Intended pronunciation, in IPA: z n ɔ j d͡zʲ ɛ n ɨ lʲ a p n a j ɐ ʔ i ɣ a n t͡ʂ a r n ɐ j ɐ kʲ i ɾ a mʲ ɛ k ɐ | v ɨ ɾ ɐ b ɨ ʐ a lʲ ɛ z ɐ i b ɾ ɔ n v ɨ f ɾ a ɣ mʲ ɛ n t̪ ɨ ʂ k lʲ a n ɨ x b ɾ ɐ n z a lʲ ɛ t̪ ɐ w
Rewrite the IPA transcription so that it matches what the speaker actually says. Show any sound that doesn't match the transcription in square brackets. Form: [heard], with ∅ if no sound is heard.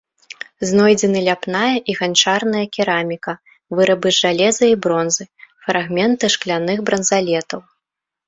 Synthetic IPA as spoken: z n ɔ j d͡zʲ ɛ n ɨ lʲ a p n a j ɐ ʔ i ɣ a n t͡ʂ a r n ɐ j ɐ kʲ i ɾ a mʲ [i] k ɐ | v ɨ ɾ ɐ b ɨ ʐ a lʲ ɛ z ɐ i b ɾ ɔ n [z] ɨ f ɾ a ɣ mʲ ɛ n t̪ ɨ ʂ k lʲ a n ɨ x b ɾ ɐ n z a lʲ ɛ t̪ ɐ w